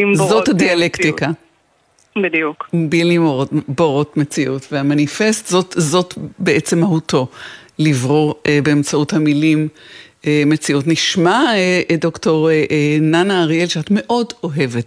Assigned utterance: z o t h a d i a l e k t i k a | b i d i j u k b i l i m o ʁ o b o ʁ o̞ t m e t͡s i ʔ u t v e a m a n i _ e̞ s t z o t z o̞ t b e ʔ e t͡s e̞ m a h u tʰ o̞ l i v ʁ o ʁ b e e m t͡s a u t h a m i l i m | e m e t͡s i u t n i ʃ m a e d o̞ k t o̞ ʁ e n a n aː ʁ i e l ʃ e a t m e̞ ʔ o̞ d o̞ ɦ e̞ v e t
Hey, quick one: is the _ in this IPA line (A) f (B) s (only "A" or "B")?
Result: A